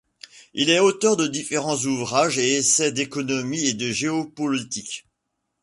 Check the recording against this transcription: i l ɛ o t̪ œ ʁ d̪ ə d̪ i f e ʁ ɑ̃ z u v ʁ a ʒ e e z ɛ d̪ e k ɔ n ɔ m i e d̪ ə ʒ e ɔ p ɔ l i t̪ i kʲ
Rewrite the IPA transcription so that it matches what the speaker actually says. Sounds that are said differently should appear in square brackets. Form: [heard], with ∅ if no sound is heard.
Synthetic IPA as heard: i l ɛ o t̪ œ ʁ d̪ ə d̪ i f e ʁ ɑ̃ z u v ʁ a ʒ e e [s] ɛ d̪ e k ɔ n ɔ m i e d̪ ə ʒ e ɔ p ɔ l i t̪ i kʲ